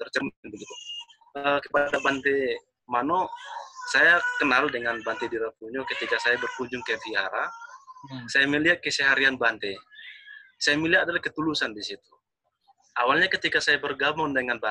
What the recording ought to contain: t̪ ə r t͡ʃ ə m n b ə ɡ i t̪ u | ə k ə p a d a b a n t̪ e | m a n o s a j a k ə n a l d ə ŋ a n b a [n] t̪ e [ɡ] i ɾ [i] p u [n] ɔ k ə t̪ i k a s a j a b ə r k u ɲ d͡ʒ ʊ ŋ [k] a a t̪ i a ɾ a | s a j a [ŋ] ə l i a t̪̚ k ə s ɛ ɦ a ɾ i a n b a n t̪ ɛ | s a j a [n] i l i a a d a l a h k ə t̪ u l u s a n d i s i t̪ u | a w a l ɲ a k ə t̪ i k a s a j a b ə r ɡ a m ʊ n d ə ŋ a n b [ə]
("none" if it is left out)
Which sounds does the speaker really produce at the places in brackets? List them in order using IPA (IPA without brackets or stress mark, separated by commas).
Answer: n, d, a, ɲ, k, m, m, a